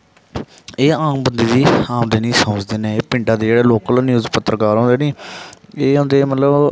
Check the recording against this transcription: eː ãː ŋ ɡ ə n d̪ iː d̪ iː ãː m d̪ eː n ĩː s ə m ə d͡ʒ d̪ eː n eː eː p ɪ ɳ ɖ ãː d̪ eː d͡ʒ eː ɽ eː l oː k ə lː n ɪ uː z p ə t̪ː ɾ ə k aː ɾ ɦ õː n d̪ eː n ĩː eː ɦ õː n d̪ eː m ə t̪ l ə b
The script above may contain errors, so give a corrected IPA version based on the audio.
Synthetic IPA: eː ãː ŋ b ə n d̪ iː d̪ iː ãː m d̪ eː n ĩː s ə m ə d͡ʒ d̪ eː n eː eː p ɪ ɳ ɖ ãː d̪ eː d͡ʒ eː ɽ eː l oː k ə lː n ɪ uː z p ə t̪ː ɾ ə k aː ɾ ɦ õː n d̪ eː n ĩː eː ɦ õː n d̪ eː m ə t̪ l ə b